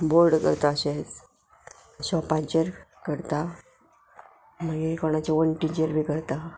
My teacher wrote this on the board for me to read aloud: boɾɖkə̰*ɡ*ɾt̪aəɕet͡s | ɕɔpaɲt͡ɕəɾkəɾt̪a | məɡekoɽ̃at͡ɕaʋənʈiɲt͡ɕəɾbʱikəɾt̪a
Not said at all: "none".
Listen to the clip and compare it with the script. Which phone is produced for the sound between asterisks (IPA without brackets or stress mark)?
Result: none